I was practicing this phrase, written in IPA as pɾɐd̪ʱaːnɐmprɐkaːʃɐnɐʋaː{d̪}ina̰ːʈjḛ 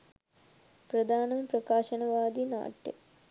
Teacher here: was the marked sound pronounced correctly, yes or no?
yes